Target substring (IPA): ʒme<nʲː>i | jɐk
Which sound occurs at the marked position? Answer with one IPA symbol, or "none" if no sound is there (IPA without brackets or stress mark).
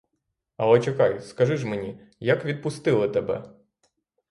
nʲ